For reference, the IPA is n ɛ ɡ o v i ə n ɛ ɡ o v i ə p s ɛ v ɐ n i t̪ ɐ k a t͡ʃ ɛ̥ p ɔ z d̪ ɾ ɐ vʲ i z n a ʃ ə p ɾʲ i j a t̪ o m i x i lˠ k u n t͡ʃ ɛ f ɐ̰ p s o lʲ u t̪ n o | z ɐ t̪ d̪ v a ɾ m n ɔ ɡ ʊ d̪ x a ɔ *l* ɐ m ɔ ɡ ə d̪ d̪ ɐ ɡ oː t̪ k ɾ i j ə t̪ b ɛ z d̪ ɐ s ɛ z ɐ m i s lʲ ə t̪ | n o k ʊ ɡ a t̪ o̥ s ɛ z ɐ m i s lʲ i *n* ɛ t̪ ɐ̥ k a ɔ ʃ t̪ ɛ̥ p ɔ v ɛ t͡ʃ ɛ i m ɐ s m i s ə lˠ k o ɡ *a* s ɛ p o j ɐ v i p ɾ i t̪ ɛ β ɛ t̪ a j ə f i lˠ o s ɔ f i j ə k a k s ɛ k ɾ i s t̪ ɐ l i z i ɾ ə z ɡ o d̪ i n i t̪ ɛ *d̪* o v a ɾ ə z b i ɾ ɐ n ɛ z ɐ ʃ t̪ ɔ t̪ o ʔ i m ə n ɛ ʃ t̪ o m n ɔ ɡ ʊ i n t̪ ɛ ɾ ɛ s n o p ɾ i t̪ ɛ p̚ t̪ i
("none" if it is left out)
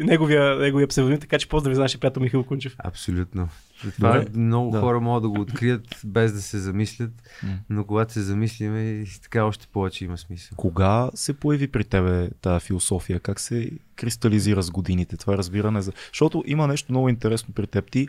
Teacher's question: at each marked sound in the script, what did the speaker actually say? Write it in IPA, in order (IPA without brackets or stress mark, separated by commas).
ɾ, m, a, t̪